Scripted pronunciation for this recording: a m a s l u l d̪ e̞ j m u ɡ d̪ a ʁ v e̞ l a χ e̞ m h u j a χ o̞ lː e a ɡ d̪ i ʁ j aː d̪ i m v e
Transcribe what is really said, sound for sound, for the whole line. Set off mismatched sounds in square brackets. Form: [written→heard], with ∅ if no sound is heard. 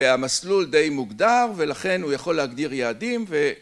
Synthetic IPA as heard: a m a s l u l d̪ e̞ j m u ɡ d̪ a ʁ v e̞ l a χ e̞ [m→n] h u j a χ o̞ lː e a ɡ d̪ i ʁ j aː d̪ i m v e